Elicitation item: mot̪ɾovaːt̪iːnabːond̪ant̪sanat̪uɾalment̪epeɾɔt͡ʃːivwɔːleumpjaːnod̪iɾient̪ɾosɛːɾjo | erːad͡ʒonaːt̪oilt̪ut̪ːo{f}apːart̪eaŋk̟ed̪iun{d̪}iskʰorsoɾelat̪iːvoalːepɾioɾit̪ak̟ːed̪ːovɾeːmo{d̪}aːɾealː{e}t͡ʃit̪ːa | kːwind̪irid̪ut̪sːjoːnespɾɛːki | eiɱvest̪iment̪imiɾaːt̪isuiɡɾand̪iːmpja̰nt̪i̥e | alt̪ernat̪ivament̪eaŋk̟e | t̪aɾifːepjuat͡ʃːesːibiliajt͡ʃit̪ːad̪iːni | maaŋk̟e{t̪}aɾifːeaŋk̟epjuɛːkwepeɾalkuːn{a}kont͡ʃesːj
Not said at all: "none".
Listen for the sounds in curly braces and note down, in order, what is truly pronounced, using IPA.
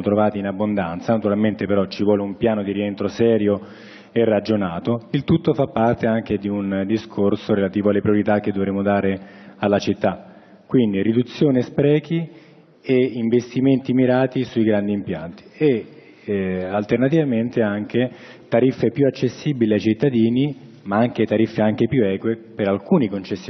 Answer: f, d̪, d̪, a, t̪, i

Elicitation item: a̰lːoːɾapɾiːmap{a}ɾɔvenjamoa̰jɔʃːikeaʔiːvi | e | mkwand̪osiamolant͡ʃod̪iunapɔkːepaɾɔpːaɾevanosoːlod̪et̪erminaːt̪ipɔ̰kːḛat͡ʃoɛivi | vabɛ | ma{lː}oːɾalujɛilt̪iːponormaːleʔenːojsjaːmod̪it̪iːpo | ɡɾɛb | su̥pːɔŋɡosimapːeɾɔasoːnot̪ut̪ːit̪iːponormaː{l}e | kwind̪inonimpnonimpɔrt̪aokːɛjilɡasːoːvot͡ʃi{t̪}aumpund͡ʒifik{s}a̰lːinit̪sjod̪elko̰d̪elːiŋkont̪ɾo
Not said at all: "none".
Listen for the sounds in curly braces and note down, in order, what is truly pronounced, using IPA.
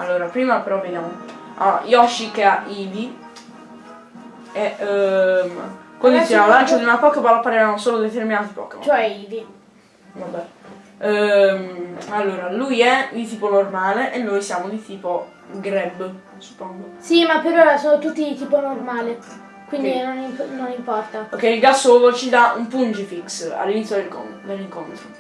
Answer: e, lː, l, d̪, s

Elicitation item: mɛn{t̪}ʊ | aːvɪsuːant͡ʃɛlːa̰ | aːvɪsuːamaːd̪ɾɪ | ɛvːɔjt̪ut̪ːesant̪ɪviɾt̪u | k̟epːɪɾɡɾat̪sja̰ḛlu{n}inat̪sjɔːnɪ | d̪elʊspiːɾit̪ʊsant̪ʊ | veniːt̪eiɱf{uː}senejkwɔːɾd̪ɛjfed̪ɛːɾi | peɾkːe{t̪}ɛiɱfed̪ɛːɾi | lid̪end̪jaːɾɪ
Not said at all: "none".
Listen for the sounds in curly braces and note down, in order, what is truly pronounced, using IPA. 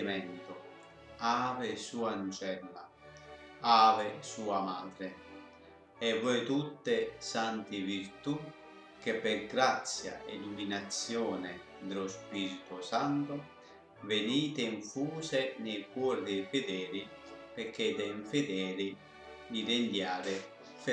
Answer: t̪, m, uː, d̪

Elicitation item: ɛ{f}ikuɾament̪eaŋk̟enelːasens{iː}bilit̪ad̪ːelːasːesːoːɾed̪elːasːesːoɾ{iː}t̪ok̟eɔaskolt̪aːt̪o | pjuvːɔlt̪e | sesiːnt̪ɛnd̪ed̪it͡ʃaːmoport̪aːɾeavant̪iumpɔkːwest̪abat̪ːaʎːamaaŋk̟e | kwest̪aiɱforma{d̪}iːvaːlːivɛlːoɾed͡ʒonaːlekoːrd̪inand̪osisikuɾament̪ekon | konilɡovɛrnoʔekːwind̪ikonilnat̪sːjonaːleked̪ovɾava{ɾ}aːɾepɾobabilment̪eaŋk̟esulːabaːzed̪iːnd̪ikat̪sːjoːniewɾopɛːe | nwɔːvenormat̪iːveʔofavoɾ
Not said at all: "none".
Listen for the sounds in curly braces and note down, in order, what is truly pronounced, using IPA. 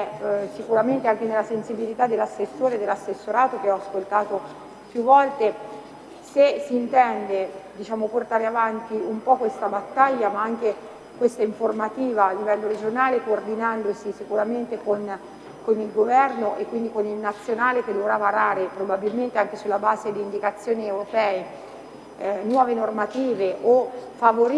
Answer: s, i, aː, t̪, ɾ

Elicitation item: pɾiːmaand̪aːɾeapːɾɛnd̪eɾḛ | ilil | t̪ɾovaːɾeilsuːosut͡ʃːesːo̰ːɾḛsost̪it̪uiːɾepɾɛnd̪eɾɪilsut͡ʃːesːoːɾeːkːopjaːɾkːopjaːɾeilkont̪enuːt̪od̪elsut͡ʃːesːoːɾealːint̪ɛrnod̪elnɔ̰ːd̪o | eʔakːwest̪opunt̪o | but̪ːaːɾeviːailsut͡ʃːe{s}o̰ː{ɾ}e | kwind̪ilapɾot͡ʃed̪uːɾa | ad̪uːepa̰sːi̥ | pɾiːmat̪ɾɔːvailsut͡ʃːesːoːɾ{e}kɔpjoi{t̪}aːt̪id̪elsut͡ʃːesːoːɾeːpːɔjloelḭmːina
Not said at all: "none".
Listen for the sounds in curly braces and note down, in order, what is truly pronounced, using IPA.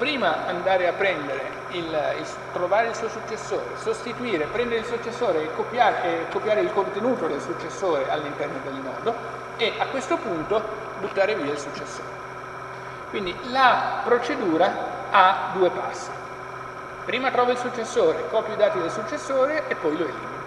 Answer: sː, ɾ, e, d̪

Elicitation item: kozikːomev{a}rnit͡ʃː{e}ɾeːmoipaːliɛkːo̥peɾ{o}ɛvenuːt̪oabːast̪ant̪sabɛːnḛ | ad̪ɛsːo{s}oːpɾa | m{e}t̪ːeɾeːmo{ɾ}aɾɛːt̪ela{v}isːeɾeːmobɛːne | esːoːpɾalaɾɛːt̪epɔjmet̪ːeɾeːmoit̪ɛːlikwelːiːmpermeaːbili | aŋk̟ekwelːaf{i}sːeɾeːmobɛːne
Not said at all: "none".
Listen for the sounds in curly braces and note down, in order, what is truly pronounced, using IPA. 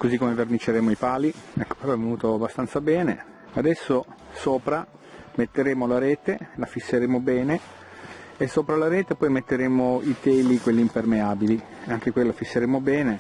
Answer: e, e, ɔ, s, e, l, f, i

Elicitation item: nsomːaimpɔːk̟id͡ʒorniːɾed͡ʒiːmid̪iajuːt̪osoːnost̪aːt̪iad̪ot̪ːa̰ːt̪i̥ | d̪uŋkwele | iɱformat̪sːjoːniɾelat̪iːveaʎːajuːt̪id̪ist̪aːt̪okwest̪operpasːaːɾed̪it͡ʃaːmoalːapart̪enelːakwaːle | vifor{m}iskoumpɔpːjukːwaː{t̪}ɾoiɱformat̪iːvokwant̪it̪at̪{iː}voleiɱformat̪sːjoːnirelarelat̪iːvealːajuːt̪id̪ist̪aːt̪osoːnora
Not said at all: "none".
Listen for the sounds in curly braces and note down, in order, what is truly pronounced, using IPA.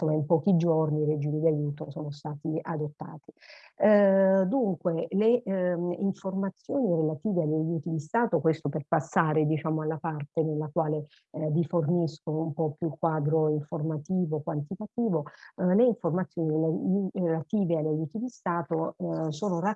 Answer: n, d̪, iː

